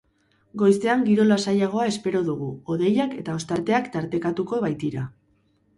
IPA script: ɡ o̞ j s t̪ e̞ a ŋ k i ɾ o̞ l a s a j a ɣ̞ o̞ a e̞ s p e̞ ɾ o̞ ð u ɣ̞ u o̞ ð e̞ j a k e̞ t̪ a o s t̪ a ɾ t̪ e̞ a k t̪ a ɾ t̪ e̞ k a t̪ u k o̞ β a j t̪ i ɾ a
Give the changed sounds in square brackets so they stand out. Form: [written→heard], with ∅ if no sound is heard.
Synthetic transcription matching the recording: ɡ o̞ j s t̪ e̞ a ŋ [k→ɡ] i ɾ o̞ l a s a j a ɣ̞ o̞ a e̞ s p e̞ ɾ o̞ ð u ɣ̞ u o̞ ð e̞ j a k e̞ t̪ a o s t̪ a ɾ t̪ e̞ a k t̪ a ɾ t̪ e̞ k a t̪ u k o̞ β a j t̪ i ɾ a